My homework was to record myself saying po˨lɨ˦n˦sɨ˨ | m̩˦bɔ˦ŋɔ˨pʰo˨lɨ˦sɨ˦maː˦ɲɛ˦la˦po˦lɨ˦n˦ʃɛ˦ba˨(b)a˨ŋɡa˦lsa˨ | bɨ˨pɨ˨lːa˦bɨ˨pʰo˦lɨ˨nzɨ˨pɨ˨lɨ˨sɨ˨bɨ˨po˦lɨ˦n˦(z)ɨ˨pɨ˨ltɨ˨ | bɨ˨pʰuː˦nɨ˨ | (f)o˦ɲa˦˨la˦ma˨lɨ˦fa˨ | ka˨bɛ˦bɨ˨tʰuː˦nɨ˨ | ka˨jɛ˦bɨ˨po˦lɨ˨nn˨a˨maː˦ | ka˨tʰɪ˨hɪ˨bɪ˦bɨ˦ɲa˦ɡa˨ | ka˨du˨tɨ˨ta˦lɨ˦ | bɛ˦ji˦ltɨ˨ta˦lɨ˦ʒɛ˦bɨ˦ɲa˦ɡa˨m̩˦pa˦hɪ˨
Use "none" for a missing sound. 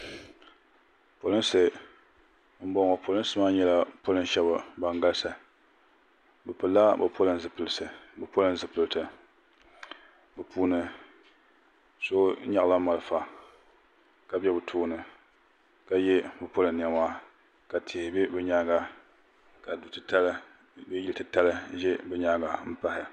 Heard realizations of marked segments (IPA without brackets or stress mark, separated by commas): b, z, s